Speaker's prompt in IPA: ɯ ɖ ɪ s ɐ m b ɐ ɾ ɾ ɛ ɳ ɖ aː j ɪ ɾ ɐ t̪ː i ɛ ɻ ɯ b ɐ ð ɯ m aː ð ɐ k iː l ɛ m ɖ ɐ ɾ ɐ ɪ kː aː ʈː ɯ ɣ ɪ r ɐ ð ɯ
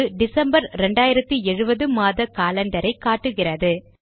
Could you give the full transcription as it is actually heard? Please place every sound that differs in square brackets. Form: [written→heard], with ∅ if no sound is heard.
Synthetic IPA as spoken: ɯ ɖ ɪ s ɐ m b ɐ ɾ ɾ ɛ ɳ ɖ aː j ɪ ɾ ɐ t̪ː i ɛ ɻ ɯ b ɐ ð ɯ m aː ð ɐ k [iː→aː] l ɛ [m→ɳ] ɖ ɐ ɾ ɐ ɪ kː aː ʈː ɯ ɣ ɪ r ɐ ð ɯ

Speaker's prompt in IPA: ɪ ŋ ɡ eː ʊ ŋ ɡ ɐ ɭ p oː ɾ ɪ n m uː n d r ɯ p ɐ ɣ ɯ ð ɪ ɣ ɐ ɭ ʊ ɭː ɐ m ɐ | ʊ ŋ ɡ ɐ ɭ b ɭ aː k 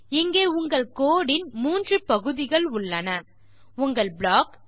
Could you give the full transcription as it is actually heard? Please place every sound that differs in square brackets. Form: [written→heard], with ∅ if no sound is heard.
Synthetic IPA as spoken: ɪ ŋ ɡ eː ʊ ŋ ɡ ɐ ɭ [p→k] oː [ɾ→ɽ] ɪ n m uː n d r ɯ p ɐ ɣ ɯ ð ɪ ɣ ɐ ɭ ʊ ɭː ɐ [m→n] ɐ | ʊ ŋ ɡ ɐ ɭ b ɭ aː k

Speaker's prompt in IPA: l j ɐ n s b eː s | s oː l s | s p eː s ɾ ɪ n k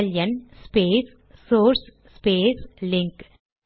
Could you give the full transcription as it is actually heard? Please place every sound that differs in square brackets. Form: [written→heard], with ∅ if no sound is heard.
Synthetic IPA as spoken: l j ɐ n s [b→p] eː s | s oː [l→ɾ] s | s p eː s [ɾ→l] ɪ [n→ŋ] k

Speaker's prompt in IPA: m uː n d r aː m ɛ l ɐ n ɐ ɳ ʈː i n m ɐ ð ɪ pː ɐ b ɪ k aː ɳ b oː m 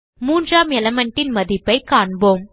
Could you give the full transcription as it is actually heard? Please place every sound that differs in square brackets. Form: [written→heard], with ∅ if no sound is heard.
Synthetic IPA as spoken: m uː n d r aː m ɛ l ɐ [n→m] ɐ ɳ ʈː [i→ɪ] n m ɐ ð ɪ pː ɐ [b→∅] ɪ k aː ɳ b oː m

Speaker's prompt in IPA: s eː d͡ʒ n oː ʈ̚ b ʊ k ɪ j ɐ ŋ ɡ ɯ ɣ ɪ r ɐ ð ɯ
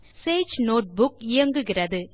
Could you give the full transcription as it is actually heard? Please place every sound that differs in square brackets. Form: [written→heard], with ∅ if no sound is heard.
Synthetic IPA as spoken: s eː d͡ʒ n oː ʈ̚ b ʊ k ɪ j ɐ ŋ ɡ ɯ ɣ ɪ r ɐ ð ɯ

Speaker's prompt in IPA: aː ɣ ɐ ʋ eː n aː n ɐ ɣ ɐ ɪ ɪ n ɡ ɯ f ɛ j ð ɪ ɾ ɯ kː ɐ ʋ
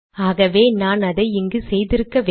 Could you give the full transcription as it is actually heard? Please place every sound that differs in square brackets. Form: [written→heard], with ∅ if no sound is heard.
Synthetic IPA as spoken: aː ɣ ɐ ʋ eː n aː n ɐ [ɣ→ð] ɐ ɪ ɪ [n→ŋ] ɡ ɯ [f→s] ɛ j ð ɪ ɾ ɯ kː ɐ ʋ

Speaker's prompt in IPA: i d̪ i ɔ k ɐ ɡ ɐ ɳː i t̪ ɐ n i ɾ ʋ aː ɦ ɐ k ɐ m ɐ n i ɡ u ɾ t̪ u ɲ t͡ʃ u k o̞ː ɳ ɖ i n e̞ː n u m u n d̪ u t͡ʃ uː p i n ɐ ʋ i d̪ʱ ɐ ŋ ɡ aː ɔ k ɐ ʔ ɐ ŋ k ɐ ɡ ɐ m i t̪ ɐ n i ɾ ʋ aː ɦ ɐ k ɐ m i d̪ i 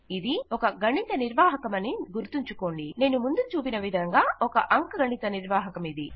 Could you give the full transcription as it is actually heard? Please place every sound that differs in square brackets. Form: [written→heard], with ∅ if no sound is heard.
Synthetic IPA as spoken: i d̪ i ɔ k ɐ ɡ ɐ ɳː i t̪ ɐ n i ɾ ʋ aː ɦ ɐ k ɐ m ɐ n i ɡ u ɾ t̪ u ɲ t͡ʃ u k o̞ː ɳ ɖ i n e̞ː n u m u n d̪ u t͡ʃ uː p i n ɐ ʋ i d̪ʱ ɐ ŋ ɡ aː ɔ k ɐ ʔ ɐ ŋ k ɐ ɡ ɐ [m→ɳ] i t̪ ɐ n i ɾ ʋ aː ɦ ɐ k ɐ m i d̪ i

